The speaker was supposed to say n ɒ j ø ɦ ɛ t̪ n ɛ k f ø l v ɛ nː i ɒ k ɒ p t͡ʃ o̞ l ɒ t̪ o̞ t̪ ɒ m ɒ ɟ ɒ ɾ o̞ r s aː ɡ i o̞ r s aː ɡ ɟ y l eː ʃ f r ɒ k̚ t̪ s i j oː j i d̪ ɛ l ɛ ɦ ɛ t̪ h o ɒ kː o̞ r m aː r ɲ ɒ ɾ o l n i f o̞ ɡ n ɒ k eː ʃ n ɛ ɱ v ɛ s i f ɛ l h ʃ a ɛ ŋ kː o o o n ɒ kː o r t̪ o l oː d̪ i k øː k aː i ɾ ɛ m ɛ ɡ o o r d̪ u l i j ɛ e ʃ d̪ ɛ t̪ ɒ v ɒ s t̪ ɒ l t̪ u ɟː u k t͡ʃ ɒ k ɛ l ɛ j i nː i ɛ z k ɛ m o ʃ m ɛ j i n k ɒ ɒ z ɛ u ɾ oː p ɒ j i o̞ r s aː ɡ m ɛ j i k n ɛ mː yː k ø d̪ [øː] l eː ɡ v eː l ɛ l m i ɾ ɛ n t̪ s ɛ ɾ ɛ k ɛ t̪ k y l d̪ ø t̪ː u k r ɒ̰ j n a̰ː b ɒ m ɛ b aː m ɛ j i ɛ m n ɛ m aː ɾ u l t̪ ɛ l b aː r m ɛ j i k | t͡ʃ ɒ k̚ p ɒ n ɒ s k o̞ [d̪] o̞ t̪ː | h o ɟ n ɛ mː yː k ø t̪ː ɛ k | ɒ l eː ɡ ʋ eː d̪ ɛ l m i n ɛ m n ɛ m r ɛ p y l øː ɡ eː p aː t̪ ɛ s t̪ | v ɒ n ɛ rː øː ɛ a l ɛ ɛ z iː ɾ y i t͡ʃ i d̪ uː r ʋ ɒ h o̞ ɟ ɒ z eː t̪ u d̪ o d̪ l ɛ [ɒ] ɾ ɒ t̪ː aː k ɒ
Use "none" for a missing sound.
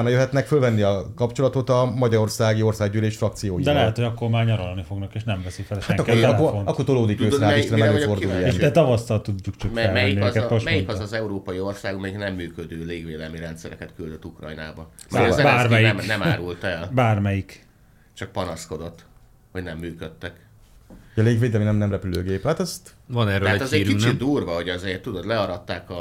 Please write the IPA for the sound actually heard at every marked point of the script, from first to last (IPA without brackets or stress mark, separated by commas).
øː, d̪, ɒ